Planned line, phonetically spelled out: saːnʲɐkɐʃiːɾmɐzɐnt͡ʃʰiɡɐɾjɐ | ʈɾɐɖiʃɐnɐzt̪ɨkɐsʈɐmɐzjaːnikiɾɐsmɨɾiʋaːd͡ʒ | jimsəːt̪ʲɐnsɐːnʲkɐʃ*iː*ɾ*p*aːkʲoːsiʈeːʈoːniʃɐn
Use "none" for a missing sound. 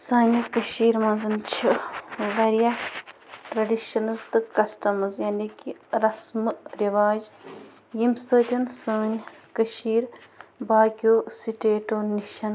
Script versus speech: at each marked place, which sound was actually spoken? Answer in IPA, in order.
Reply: iː, b

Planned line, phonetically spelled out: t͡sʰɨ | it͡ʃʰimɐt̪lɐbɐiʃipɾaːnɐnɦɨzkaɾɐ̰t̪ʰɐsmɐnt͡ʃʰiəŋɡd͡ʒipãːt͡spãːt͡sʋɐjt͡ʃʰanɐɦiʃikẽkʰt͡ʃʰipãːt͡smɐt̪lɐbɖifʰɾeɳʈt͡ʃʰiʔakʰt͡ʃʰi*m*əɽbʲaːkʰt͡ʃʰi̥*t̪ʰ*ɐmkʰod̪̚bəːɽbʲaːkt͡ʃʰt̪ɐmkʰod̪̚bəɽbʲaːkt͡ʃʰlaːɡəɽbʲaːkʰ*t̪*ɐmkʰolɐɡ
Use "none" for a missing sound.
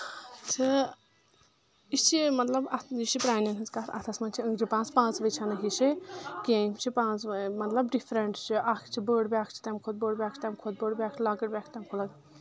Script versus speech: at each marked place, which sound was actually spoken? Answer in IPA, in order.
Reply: b, t̪, t̪

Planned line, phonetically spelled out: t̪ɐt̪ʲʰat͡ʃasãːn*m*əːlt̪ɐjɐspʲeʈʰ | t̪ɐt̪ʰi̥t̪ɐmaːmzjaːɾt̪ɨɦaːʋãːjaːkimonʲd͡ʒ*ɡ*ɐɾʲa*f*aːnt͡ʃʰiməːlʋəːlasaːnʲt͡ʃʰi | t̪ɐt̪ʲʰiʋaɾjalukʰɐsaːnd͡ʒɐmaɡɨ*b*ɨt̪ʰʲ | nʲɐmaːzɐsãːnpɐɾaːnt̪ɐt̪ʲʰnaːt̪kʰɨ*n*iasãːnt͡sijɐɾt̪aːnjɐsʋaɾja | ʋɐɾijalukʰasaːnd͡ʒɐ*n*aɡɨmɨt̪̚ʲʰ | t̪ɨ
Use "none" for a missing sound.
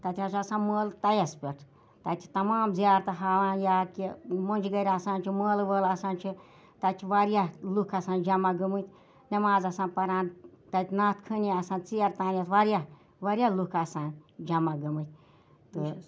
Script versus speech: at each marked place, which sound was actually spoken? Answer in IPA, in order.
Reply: m, ɡ, s, m, n, m

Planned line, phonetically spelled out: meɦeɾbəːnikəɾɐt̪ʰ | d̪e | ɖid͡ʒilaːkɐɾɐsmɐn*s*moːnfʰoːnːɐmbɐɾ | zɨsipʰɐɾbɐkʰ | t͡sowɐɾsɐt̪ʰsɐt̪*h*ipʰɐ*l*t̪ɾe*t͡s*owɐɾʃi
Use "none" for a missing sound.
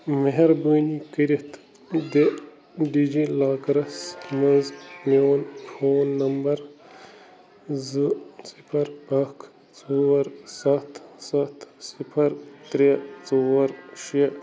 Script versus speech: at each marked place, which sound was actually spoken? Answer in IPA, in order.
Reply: z, s, ɾ, t͡s

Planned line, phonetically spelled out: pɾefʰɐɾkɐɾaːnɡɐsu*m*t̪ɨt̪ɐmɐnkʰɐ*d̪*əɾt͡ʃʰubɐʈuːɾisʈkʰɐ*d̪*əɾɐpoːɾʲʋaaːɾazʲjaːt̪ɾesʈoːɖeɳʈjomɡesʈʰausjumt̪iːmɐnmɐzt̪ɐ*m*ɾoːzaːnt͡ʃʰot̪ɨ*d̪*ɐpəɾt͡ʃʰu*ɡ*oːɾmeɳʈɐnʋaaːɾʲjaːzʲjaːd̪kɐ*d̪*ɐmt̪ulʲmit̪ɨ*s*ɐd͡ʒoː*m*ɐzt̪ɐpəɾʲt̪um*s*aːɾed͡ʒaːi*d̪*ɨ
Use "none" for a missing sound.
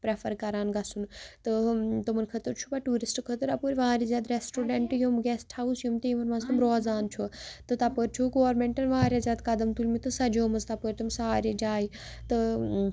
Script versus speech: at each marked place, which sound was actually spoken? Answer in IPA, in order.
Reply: n, t̪, t̪, m, t̪, ɡ, d̪, s, m, s, t̪

